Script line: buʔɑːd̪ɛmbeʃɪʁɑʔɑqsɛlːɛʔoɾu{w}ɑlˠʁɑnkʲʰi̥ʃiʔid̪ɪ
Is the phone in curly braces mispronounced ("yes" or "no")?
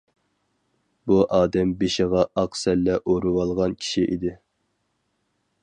no